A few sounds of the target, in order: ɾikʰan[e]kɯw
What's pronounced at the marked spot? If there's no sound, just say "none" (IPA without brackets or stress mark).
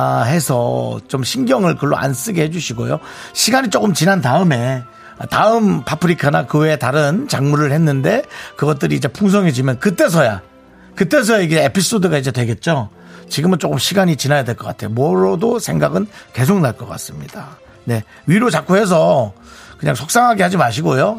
a